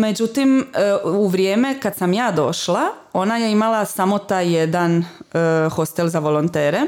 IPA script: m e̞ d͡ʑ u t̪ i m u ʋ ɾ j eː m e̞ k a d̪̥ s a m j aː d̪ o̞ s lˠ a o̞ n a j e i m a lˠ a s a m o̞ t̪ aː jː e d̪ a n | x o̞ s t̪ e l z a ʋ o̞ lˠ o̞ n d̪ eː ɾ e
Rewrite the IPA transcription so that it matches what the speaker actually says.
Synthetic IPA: m e̞ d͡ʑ u t̪ i m u ʋ ɾ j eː m e̞ k a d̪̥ s a m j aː d̪ o̞ ʃ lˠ a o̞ n a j e i m a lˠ a s a m o̞ t̪ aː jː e d̪ a n | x o̞ s t̪ e l z a ʋ o̞ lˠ o̞ n t̪ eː ɾ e